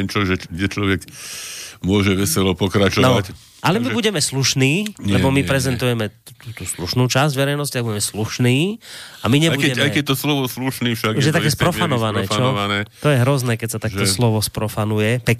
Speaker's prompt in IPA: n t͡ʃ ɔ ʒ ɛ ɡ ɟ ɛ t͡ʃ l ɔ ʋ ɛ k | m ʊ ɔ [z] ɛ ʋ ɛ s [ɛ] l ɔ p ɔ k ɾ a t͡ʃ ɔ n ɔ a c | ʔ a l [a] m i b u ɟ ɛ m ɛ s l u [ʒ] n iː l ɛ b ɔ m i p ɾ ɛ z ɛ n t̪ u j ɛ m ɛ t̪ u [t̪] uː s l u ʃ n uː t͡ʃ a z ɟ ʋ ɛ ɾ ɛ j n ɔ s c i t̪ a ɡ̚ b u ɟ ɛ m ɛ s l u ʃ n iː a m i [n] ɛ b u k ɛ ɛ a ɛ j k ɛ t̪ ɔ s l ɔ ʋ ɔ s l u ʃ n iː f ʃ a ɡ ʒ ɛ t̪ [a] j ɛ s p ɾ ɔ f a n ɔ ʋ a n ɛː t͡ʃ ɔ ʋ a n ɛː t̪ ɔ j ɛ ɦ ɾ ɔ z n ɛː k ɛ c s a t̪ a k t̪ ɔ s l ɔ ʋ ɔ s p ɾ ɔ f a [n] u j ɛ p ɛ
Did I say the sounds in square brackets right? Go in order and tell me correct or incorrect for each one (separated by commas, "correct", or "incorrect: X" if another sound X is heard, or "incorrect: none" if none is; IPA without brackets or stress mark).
incorrect: ʒ, correct, incorrect: ɛ, incorrect: ʃ, correct, incorrect: ɲ, correct, correct